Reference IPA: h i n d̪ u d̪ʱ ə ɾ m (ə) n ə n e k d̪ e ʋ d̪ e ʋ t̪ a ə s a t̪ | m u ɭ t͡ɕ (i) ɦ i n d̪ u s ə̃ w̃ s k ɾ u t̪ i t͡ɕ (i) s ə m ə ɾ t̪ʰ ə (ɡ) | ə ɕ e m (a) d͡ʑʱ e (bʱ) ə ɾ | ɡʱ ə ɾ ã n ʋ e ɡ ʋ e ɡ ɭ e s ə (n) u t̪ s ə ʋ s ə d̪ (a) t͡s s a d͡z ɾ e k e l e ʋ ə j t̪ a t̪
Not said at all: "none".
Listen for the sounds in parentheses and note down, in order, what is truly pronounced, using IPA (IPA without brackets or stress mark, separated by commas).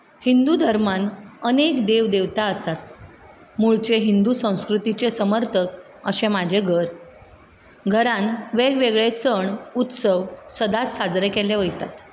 a, e, e, k, a, ɡʱ, ɳ, a